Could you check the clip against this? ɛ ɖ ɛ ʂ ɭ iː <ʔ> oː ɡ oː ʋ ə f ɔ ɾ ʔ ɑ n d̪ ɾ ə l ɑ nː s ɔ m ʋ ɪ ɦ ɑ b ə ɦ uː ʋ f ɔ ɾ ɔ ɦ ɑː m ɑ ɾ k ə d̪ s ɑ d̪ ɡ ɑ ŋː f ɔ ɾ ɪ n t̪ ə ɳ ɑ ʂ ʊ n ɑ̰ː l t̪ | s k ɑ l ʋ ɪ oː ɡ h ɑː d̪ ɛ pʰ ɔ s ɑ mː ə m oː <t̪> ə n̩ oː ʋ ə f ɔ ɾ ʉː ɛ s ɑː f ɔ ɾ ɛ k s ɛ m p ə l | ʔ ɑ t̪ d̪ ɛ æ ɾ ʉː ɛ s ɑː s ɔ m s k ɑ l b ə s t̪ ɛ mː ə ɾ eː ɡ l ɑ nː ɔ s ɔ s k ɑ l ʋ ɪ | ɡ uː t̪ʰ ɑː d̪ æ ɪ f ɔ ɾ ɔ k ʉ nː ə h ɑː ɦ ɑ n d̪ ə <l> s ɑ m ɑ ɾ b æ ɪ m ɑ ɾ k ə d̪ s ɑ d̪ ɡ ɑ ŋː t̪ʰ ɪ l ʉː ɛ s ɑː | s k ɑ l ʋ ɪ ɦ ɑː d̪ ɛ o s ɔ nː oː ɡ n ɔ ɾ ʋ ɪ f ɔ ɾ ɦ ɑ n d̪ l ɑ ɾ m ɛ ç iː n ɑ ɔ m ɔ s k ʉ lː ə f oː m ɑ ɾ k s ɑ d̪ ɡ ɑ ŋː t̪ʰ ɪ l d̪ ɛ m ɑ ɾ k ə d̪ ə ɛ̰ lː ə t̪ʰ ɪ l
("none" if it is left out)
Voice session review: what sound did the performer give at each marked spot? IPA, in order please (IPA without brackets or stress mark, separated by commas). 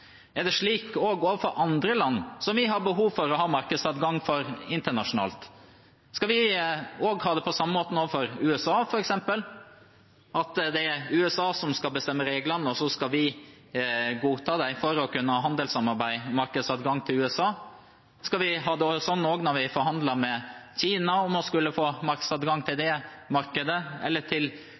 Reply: k, t̪, l